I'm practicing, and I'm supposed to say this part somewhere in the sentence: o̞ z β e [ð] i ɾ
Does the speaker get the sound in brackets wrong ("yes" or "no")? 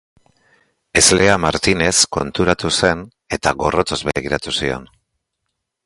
yes